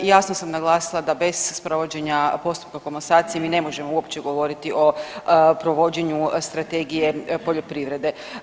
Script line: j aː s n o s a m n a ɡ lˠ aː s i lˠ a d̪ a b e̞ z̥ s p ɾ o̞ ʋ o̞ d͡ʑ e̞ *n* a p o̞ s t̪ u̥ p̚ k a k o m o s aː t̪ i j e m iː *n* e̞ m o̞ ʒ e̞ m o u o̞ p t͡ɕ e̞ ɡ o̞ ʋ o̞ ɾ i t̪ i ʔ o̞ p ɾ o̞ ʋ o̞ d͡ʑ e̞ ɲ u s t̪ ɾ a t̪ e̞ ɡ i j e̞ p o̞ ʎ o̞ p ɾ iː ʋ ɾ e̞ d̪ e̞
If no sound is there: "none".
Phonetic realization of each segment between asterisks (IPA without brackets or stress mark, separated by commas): ɲ, n